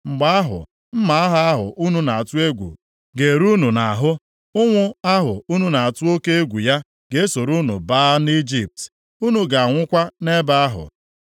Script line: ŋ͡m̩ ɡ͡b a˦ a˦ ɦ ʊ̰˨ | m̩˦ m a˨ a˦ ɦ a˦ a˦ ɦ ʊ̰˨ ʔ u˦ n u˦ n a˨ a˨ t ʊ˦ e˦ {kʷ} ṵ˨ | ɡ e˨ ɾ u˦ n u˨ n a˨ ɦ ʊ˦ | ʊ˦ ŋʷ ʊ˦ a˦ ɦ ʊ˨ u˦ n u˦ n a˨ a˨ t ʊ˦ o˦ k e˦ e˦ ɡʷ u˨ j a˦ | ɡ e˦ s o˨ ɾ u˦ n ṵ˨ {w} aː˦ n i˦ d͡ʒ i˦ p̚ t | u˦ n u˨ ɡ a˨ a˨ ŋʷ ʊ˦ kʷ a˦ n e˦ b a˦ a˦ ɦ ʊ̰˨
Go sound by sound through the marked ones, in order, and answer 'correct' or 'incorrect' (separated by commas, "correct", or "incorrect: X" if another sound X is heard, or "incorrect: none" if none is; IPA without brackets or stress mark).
incorrect: ɡʷ, incorrect: b